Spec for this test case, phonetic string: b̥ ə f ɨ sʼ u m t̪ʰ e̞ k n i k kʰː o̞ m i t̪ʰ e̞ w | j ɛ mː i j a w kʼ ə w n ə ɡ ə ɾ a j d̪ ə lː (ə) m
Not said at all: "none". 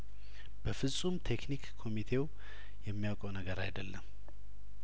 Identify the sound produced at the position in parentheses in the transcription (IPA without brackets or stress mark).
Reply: ə